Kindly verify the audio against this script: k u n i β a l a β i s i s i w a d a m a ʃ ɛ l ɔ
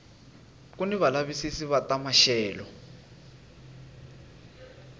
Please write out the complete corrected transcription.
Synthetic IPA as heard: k u n i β a l a β i s i s i β a t a m a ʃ ɛː l ɔ